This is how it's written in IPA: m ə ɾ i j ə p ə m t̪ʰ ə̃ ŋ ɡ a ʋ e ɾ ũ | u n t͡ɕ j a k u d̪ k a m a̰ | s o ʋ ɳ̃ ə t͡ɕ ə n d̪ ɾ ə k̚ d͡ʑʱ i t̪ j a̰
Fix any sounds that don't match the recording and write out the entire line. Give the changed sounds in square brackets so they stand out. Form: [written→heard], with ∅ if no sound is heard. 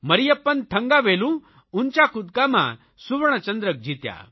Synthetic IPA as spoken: m ə ɾ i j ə p ə [m→n] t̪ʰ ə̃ ŋ ɡ a ʋ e [ɾ→l] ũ | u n t͡ɕ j a k u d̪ k a m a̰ | s [o→u] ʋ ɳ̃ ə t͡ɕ ə n d̪ ɾ ə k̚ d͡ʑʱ i t̪ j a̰